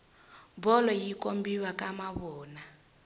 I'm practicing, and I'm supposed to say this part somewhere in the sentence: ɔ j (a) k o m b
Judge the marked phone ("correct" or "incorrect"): incorrect